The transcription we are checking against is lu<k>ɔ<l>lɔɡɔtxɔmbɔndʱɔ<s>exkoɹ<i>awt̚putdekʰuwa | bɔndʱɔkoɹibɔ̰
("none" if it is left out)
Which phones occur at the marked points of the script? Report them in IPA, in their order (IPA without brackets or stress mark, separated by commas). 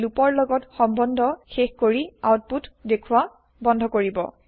p, ɹ, x, i